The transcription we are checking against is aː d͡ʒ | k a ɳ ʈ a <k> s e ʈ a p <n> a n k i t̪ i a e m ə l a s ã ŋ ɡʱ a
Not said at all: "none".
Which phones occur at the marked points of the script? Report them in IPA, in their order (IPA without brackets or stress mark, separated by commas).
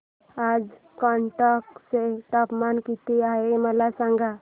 k, m